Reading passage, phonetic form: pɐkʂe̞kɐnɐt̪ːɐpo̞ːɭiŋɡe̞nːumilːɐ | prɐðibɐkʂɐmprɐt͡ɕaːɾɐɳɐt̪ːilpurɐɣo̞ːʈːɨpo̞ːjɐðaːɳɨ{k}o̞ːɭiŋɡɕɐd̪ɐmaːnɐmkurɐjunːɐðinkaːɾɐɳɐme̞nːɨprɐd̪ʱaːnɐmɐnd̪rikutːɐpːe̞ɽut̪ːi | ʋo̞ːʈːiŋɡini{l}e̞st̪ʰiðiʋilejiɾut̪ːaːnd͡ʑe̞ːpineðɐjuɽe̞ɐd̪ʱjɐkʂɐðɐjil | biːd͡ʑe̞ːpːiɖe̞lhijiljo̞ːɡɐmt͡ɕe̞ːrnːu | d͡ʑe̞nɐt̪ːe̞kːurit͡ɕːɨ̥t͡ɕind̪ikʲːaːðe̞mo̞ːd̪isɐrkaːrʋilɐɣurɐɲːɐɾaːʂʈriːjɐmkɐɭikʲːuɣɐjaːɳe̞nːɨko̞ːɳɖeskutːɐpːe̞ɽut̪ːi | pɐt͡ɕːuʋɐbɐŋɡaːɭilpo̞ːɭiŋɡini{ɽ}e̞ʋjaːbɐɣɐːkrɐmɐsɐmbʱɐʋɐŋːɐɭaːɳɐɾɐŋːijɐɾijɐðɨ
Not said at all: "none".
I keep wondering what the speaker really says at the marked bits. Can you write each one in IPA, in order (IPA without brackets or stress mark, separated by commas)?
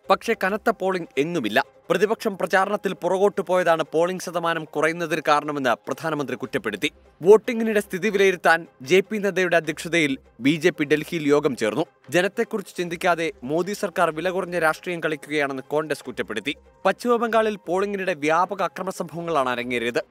p, ɽ, ɽ